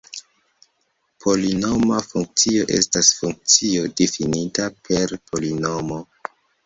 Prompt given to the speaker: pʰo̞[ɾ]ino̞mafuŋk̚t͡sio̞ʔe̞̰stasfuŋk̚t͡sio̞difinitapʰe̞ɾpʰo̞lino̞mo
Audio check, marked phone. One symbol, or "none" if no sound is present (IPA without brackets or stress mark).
l